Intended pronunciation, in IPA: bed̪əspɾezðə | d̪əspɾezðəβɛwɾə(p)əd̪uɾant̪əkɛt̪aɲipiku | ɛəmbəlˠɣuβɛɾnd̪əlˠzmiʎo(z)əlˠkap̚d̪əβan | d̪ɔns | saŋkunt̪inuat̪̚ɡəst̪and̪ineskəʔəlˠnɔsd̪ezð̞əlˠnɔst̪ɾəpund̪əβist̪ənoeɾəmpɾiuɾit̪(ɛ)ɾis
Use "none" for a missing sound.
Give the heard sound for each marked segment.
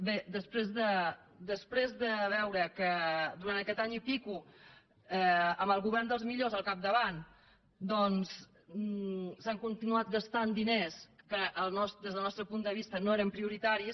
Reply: k, z, a

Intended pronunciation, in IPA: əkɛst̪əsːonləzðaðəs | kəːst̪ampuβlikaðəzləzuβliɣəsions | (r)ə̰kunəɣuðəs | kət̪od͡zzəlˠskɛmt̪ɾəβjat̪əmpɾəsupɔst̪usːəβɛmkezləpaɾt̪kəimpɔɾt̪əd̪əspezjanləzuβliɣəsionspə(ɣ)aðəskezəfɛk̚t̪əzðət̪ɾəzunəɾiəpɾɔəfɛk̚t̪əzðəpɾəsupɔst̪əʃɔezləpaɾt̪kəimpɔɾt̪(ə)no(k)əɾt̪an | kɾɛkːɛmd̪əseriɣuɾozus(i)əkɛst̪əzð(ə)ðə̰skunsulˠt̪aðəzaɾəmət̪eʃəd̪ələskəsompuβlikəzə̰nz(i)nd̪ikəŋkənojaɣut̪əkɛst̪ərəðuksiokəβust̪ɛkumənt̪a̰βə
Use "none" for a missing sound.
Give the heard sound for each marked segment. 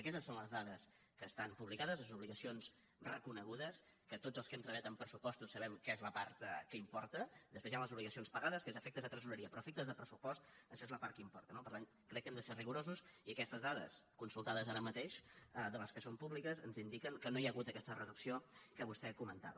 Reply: r, ɣ, ə, p, i, a, i

